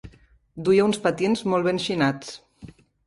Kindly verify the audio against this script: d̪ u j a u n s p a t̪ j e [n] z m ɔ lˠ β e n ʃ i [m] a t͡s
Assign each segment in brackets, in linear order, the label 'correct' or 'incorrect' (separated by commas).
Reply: correct, incorrect